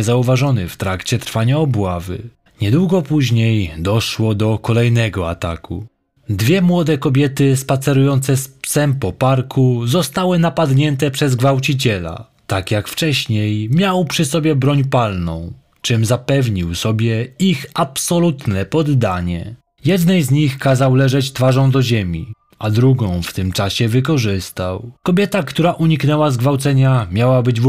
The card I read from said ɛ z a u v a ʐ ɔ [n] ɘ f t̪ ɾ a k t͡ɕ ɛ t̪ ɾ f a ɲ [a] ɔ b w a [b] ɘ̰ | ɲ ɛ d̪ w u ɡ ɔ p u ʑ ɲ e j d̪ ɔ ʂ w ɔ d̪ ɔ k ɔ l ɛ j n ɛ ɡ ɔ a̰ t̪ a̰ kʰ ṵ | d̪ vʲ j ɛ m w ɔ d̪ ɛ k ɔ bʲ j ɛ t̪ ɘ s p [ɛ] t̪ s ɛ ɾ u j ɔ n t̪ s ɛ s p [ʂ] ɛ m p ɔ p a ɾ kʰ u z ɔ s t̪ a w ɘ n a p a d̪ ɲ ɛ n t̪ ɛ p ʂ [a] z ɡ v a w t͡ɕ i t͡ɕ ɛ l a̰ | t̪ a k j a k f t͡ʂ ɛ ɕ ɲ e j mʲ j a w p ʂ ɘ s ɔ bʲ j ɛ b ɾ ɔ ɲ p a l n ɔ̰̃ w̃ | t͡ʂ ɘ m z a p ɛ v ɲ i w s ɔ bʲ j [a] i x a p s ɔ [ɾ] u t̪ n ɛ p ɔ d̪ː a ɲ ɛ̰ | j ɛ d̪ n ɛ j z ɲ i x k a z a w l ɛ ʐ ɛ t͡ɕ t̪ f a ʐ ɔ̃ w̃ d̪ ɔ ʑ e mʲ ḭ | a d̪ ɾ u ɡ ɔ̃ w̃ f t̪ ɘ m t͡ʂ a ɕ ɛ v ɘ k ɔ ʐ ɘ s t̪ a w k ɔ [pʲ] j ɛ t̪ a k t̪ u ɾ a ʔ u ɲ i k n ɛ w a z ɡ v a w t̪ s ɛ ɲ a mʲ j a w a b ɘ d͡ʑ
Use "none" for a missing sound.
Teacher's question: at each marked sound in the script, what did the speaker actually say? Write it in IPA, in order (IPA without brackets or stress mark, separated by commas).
n, a, v, a, s, ɛ, ɛ, l, bʲ